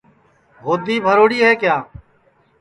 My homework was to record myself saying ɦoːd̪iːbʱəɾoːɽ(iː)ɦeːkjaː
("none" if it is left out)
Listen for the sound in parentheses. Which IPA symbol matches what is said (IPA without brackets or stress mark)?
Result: iː